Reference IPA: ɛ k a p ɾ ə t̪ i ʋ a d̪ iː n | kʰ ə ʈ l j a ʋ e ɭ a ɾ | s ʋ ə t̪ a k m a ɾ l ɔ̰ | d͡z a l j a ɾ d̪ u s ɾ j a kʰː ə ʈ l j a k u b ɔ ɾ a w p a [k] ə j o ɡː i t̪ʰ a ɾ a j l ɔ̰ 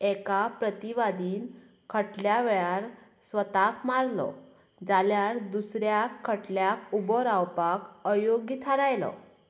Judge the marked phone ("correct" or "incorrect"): correct